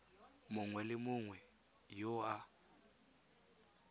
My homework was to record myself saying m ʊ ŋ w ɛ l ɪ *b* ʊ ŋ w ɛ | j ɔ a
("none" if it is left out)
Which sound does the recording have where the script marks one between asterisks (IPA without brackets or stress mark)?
m